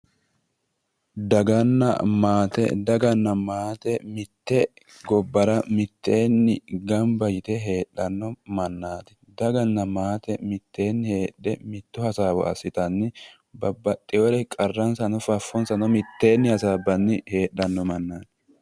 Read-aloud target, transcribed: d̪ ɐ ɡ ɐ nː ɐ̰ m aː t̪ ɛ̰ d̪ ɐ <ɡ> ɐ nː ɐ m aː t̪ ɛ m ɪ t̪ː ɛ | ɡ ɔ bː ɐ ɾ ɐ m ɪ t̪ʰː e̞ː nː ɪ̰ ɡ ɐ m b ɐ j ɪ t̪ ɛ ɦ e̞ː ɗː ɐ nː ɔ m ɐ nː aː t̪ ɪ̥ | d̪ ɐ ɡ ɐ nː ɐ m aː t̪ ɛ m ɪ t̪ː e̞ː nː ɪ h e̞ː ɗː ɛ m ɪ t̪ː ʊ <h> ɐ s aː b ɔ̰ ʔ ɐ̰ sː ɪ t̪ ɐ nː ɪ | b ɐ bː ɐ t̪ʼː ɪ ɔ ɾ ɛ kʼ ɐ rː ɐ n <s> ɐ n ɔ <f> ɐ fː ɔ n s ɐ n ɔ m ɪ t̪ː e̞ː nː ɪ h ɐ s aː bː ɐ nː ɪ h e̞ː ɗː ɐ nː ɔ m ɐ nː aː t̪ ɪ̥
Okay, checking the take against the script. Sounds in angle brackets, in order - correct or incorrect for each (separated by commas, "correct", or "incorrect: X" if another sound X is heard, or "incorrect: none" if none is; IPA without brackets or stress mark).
correct, correct, correct, correct